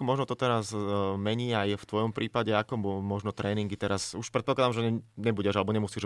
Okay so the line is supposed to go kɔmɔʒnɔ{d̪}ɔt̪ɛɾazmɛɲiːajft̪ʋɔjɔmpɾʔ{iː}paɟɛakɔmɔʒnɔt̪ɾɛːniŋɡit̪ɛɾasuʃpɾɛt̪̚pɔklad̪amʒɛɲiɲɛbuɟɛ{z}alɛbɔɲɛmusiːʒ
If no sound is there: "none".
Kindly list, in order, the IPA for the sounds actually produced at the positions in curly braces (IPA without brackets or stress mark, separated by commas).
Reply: t̪, iː, ʒ